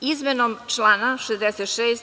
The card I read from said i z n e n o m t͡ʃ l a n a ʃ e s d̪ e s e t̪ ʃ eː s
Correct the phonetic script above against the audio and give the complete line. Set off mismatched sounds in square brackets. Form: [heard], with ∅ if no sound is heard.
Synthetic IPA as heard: i z [m] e n o m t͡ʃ l a n a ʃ e [z] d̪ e s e t̪ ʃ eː s